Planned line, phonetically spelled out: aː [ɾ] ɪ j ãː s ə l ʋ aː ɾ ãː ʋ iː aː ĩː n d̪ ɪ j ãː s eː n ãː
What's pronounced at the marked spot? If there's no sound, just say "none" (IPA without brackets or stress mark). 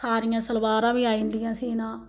ɾ